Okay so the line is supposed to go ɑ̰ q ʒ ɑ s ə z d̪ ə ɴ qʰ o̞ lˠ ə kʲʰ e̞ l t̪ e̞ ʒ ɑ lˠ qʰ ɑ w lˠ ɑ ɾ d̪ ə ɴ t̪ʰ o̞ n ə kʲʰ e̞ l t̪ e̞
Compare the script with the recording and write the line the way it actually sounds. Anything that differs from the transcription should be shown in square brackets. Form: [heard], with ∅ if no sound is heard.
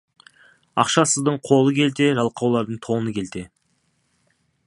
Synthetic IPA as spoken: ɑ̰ q [ʃ] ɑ s ə z d̪ ə ɴ qʰ o̞ lˠ ə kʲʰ e̞ l t̪ e̞ ʒ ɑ lˠ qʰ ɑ w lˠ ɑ ɾ d̪ ə ɴ t̪ʰ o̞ n ə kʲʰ e̞ l t̪ e̞